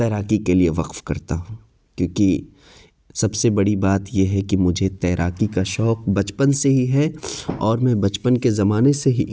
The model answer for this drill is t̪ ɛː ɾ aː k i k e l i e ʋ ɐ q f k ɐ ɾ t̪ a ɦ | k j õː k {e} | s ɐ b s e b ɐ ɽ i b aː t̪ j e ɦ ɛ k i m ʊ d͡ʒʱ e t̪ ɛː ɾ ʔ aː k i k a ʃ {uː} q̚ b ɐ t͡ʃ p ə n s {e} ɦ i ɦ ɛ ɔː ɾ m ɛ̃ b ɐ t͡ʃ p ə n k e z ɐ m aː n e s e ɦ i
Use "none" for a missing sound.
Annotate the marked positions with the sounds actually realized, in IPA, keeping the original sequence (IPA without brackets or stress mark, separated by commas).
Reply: i, ɔː, e